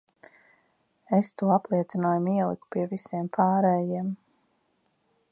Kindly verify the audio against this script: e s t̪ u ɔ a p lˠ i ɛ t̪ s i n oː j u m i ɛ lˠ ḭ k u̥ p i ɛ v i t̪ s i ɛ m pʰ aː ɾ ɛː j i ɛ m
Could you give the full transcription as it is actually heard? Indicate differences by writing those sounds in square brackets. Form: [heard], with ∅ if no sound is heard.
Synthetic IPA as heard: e s t̪ u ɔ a p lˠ i ɛ t̪ s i n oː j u m i ɛ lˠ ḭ k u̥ p i ɛ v i [∅] s i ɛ m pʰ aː ɾ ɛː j i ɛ m